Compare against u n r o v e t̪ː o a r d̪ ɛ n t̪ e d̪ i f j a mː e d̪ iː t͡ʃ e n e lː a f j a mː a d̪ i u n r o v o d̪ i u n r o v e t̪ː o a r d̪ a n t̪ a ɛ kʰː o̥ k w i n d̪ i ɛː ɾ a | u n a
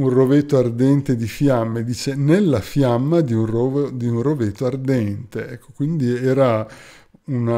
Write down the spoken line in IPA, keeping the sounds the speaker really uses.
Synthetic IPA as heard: u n r o v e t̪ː o a r d̪ ɛ n t̪ e d̪ i f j a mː e d̪ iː t͡ʃ e n e lː a f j a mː a d̪ i u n r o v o d̪ i u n r o v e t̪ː o a r d̪ ɛ n t̪ e ɛ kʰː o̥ k w i n d̪ i ɛː ɾ a | u n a

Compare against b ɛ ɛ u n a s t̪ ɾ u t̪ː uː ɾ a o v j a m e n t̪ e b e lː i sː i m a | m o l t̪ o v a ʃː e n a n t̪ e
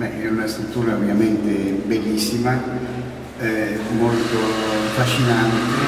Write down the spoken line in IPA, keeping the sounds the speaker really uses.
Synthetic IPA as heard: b ɛ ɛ u n a s t̪ ɾ u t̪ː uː ɾ a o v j a m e n t̪ e b e lː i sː i m a | m o l t̪ o f a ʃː i n a n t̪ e

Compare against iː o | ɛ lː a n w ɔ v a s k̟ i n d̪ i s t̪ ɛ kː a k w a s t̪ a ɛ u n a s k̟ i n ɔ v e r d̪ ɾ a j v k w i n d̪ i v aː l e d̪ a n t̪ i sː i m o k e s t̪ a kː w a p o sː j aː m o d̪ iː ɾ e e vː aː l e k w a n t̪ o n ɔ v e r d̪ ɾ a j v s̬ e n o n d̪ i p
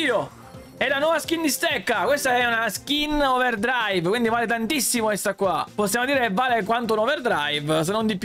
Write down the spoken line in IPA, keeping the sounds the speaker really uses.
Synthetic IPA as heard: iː o | ɛ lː a n w ɔ v a s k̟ i n d̪ i s t̪ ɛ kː a k w e s t̪ a ɛ u n a s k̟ i n ɔ v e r d̪ ɾ a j v k w i n d̪ i v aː l e t̪ a n t̪ i sː i m o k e s t̪ a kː w a p o sː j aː m o d̪ iː ɾ e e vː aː l e k w a n t̪ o n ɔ v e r d̪ ɾ a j v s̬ e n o n d̪ i p

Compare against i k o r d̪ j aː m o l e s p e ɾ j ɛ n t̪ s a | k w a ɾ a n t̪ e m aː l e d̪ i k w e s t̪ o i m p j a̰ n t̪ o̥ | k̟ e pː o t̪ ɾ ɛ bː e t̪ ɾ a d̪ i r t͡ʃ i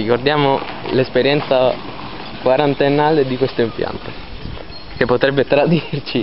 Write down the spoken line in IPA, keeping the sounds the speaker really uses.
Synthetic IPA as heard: i k o r d̪ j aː m o l e s p e ɾ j ɛ n t̪ s a | k w a ɾ a n t̪ e n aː l e d̪ i k w e s t̪ o i m p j a̰ n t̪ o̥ | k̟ e pː o t̪ ɾ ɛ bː e t̪ ɾ a d̪ i r t͡ʃ i

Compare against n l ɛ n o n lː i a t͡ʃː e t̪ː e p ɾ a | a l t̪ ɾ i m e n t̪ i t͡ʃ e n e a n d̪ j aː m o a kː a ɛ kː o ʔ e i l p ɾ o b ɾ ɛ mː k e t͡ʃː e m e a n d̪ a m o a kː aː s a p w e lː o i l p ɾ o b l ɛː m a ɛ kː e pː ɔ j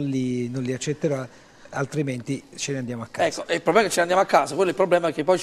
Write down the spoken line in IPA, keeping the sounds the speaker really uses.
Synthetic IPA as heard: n l i n o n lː i a t͡ʃː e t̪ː e ɾ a | a l t̪ ɾ i m e n t̪ i t͡ʃ e n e a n d̪ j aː m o a kː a ɛ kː o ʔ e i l p ɾ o b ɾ ɛ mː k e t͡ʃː e n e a n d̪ a m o a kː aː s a k w e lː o i l p ɾ o b l ɛː m a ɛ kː e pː ɔ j

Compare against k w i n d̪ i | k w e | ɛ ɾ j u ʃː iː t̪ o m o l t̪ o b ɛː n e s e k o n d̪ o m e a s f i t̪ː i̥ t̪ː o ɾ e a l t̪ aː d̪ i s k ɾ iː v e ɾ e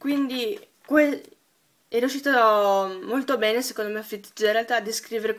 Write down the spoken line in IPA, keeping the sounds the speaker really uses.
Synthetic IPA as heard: k w i n d̪ i | k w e | ɛ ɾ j u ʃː iː t̪ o m o l t̪ o b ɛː n e s e k o n d̪ o m e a f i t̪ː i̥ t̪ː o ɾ e a l t̪ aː d̪ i s k ɾ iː v e ɾ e

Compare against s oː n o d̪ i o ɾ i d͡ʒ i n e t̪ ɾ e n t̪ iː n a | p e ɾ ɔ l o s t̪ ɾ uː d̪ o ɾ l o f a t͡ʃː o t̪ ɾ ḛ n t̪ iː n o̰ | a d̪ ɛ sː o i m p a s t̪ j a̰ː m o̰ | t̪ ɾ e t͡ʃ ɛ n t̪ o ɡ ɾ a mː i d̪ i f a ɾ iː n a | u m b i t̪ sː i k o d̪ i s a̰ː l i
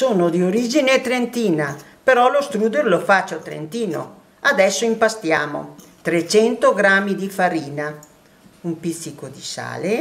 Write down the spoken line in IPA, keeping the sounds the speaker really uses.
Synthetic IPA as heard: s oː n o d̪ i o ɾ i d͡ʒ i n e t̪ ɾ e n t̪ iː n a | p e ɾ ɔ l o s t̪ ɾ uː d̪ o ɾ l o f a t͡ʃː o t̪ ɾ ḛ n t̪ iː n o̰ | a d̪ ɛ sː o i m p a s t̪ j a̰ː m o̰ | t̪ ɾ e t͡ʃ ɛ n t̪ o ɡ ɾ a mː i d̪ i f a ɾ iː n a | u m p i t̪ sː i k o d̪ i s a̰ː l e

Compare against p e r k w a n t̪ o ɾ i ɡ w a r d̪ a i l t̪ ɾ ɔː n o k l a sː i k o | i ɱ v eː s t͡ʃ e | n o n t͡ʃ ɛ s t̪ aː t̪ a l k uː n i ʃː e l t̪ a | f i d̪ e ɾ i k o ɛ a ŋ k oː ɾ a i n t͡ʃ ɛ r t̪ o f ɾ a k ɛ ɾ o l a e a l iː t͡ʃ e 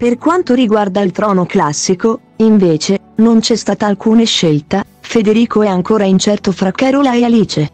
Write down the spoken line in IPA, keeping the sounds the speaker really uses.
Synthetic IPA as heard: p e r k w a n t̪ o ɾ i ɡ w a r d̪ a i l t̪ ɾ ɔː n o k l a sː i k o | i ɱ v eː t͡ʃ e | n o n t͡ʃ ɛ s t̪ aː t̪ a l k uː n e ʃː e l t̪ a | f e d̪ e ɾ iː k o ɛ a ŋ k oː ɾ a i n t͡ʃ ɛ r t̪ o f ɾ a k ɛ ɾ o l a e a l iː t͡ʃ e

